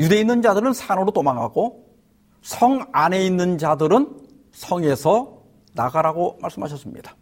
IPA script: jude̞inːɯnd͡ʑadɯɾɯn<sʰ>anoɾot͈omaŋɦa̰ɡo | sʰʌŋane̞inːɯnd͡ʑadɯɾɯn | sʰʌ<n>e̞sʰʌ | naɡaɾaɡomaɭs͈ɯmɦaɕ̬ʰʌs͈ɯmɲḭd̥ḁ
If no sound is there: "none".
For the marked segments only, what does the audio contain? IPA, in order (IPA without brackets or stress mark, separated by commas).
sʰ, ŋ